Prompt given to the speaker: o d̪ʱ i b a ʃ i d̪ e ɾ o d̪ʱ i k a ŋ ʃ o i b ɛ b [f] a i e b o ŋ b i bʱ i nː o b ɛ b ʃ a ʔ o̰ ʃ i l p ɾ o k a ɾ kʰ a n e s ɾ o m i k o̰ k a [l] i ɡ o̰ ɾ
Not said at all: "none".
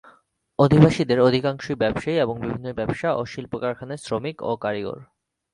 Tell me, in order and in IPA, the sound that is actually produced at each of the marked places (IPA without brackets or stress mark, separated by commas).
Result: ʃ, ɾ